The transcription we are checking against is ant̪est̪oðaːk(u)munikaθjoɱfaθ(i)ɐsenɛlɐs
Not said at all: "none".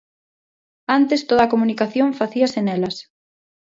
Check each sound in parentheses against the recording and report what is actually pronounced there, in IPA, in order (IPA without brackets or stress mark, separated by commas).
o, i